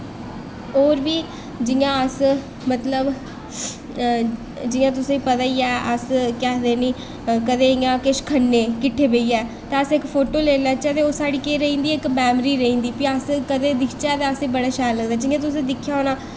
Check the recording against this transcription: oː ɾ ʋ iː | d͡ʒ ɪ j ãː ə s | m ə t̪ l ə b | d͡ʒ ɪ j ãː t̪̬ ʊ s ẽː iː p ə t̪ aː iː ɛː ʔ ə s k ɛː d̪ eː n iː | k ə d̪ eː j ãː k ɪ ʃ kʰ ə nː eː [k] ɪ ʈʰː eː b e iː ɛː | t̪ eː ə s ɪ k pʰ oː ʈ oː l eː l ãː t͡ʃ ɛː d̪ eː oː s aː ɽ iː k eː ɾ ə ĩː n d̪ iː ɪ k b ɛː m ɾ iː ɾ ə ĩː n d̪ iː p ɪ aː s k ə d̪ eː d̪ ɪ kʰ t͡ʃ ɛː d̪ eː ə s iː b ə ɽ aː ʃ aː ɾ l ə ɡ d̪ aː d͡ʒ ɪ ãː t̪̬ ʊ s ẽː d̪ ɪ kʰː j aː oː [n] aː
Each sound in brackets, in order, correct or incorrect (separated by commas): correct, correct